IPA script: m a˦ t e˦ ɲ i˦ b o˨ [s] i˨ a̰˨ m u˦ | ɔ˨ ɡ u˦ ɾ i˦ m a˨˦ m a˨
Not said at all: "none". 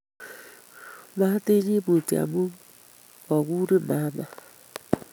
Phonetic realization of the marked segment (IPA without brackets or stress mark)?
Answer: t